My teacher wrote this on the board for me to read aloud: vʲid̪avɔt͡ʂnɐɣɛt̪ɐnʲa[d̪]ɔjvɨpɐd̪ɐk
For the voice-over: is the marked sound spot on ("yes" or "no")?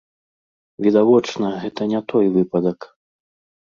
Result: no